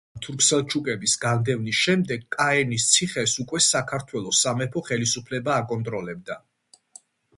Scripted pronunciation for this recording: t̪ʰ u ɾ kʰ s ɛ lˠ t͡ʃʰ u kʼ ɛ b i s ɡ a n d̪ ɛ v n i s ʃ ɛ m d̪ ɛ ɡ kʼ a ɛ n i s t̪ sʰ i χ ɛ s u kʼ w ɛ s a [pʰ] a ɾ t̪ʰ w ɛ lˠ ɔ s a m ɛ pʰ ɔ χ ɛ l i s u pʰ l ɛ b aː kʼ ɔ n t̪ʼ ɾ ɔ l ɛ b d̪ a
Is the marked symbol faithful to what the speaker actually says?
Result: no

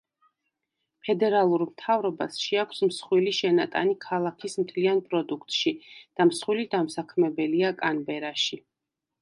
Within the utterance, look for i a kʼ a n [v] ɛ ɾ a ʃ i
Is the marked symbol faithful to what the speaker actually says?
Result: no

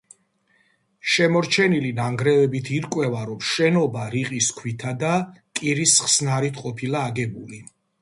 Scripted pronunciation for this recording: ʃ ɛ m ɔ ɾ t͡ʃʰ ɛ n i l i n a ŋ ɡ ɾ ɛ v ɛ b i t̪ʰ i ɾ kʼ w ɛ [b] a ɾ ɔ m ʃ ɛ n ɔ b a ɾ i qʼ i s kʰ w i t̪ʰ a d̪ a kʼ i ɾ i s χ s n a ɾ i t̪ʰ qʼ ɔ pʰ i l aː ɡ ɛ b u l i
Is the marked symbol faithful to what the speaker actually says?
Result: no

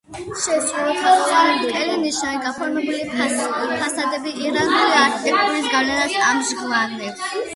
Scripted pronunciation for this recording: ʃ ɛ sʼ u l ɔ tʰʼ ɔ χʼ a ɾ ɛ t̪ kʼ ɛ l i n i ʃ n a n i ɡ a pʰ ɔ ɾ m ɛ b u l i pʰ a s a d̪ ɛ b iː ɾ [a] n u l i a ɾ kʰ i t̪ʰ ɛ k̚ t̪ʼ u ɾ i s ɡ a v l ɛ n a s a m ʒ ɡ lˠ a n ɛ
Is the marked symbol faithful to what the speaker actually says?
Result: yes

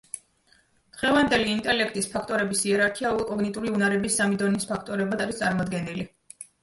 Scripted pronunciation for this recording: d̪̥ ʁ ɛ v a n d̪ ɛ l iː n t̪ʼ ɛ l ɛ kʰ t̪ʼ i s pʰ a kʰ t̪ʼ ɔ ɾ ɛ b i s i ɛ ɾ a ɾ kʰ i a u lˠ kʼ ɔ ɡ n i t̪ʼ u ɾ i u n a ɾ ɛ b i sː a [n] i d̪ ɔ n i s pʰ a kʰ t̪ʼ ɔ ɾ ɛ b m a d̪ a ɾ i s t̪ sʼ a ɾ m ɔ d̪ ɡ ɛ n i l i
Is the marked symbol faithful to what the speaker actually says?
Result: no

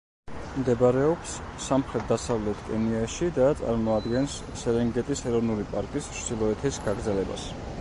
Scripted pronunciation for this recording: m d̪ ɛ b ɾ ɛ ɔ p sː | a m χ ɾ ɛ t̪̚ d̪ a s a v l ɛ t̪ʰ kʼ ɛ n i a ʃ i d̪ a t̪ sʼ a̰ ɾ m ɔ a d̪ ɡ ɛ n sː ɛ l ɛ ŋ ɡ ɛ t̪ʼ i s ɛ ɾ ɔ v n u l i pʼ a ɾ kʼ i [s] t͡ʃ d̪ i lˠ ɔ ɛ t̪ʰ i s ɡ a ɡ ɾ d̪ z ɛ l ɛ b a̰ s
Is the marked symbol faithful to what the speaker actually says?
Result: yes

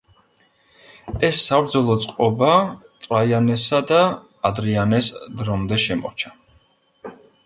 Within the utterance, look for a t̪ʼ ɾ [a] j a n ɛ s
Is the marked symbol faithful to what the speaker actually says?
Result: yes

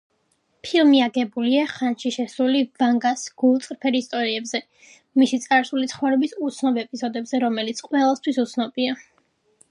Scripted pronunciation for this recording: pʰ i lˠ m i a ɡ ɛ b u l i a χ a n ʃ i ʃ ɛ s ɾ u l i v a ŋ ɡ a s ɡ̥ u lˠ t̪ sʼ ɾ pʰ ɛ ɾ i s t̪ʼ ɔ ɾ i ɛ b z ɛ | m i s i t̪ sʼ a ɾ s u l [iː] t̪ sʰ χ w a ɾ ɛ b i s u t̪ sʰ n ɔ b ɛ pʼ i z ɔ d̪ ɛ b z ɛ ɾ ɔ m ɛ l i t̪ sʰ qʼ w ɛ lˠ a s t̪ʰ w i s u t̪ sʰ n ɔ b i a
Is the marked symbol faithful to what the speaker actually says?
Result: no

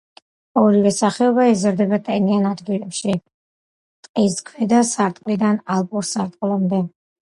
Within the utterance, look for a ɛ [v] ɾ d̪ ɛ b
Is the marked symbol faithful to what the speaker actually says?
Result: no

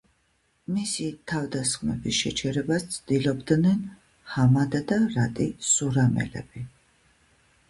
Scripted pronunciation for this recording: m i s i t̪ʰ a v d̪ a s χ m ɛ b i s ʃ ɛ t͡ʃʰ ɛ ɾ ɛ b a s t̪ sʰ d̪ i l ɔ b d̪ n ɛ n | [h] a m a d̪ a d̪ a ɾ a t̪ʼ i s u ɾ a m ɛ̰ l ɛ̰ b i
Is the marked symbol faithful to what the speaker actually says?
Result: yes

